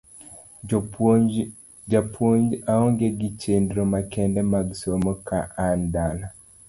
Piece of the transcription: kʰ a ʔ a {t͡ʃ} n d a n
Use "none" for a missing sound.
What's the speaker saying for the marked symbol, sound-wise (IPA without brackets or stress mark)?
none